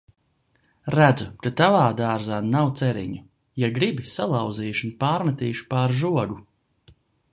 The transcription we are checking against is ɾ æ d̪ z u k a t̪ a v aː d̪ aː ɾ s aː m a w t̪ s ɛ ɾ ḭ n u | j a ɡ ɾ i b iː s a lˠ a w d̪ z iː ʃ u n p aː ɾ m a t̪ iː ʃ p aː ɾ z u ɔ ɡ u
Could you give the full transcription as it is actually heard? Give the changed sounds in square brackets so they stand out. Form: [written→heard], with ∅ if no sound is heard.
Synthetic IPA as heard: ɾ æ d̪ z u k a t̪ a v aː d̪ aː ɾ [s→z] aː [m→n] a w t̪ s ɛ ɾ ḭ [n→ɲ] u | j a ɡ ɾ i b [iː→i] s a lˠ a w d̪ z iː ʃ u n p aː ɾ m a t̪ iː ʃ p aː ɾ [z→ʒ] u ɔ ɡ u